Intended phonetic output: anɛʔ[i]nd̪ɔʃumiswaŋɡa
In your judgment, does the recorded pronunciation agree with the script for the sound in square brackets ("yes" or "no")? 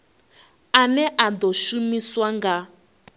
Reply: no